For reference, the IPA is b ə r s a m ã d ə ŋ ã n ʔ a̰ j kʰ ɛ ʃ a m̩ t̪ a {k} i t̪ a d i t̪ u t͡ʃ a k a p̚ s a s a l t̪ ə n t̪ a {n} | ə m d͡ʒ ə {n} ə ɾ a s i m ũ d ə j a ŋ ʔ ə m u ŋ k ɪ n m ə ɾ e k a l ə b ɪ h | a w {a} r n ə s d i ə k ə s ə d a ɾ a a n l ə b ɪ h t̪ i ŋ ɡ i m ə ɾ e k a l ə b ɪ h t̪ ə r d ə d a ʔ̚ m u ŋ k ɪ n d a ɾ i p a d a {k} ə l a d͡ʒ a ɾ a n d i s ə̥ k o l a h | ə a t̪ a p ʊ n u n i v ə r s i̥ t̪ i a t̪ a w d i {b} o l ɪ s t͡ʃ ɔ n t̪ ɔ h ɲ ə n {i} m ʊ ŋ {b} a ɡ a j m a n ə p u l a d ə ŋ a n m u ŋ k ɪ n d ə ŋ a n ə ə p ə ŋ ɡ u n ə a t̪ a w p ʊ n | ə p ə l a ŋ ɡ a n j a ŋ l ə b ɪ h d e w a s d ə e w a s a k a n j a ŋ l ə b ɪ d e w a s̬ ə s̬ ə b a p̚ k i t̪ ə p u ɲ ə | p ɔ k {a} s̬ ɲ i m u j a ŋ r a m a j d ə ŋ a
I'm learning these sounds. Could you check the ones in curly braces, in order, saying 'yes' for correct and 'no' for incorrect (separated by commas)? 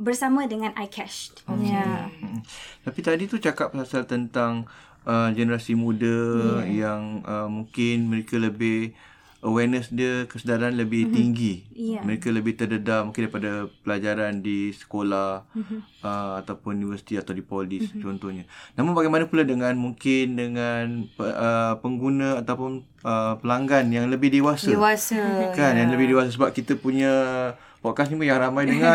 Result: no, no, yes, no, no, no, no, yes, yes